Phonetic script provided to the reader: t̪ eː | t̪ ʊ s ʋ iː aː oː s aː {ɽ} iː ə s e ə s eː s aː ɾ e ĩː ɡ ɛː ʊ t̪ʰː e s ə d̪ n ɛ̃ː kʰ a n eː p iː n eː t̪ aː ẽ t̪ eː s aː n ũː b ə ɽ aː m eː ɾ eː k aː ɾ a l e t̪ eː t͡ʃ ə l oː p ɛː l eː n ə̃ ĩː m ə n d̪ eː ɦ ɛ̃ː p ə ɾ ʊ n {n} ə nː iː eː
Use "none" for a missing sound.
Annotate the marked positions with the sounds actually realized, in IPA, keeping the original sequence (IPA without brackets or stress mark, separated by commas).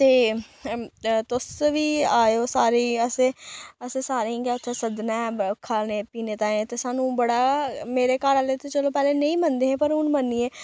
ɾ, m